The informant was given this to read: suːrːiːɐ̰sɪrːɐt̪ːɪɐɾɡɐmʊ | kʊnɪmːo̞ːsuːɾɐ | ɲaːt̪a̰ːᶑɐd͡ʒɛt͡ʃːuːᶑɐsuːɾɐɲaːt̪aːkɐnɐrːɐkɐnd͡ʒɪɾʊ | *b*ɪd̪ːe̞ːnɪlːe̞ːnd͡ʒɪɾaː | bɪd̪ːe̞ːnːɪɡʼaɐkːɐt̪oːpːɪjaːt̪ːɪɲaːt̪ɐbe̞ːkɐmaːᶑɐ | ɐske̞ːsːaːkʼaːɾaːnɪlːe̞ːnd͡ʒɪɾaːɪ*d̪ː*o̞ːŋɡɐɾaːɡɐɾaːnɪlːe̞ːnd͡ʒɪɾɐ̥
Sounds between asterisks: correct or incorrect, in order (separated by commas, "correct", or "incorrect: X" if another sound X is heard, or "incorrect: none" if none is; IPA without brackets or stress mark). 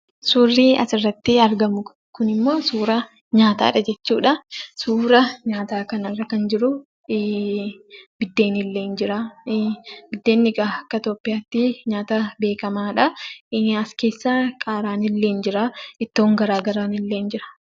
correct, incorrect: t̪ː